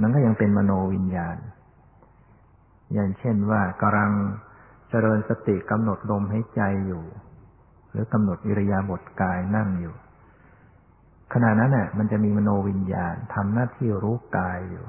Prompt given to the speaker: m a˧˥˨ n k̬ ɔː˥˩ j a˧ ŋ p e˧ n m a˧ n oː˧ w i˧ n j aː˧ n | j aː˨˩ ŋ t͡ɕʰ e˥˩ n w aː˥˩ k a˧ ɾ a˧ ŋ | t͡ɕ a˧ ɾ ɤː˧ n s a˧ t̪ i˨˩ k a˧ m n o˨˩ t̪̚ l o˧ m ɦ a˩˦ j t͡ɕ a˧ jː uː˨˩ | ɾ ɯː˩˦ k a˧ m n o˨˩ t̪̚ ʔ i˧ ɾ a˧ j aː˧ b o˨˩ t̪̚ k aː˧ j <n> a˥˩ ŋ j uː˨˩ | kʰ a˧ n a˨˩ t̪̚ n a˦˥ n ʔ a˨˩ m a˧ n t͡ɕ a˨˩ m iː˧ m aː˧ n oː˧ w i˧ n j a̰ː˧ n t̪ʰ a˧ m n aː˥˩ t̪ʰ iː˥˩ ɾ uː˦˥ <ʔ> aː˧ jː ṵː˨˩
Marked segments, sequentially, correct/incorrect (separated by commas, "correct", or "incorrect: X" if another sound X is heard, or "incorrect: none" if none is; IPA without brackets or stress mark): correct, incorrect: k